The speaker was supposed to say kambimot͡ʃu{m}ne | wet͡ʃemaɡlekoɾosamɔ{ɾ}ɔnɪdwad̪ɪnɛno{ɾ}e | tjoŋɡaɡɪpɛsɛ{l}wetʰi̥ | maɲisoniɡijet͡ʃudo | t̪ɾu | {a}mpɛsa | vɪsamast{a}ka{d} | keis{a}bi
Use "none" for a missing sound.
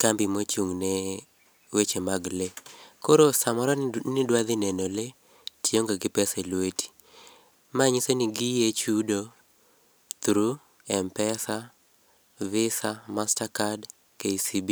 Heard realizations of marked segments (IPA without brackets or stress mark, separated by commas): ŋ, ɾ, l, l, ɛ, a, d, i